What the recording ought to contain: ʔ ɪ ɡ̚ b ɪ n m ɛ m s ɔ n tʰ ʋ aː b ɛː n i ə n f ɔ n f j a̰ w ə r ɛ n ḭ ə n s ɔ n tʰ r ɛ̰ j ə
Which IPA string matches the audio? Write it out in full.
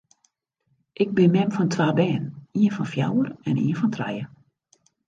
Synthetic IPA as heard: ʔ ɪ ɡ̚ b ɪ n m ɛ m f ɔ n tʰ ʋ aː b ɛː n i ə n f ɔ n f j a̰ w ə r ɛ n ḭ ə n f ɔ n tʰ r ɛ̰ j ə